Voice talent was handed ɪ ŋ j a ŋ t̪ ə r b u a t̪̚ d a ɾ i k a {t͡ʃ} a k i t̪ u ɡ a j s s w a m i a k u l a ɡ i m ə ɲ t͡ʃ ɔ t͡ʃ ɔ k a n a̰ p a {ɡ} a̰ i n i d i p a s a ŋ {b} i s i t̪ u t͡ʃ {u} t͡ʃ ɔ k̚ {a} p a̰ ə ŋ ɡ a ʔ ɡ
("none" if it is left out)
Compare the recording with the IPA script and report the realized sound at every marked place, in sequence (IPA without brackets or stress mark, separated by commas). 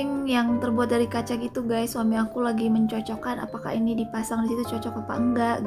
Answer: t͡ʃ, k, d, ɔ, a